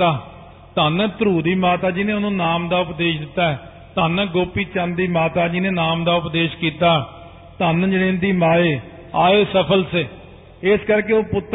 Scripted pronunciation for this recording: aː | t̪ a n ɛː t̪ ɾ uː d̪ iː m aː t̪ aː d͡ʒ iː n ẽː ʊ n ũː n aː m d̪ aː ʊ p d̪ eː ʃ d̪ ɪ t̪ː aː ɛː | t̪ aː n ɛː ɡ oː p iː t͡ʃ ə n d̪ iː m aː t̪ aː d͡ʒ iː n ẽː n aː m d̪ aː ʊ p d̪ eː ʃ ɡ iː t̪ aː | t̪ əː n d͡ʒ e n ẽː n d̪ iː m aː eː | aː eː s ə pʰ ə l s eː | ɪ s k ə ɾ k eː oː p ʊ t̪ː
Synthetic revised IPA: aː | t̪ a n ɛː t̪ ɾ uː d̪ iː m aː t̪ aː d͡ʒ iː n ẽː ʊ n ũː n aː m d̪ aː ʊ p d̪ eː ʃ d̪ ɪ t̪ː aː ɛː | t̪ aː n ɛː ɡ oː p iː t͡ʃ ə n d̪ iː m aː t̪ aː d͡ʒ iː n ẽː n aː m d̪ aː ʊ p d̪ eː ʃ k iː t̪ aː | t̪ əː n d͡ʒ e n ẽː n d̪ iː m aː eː | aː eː s ə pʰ ə l s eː | ɪ s k ə ɾ k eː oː p ʊ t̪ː